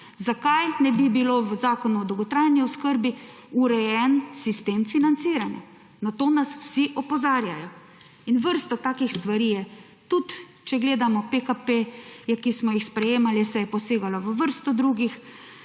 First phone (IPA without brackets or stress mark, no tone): z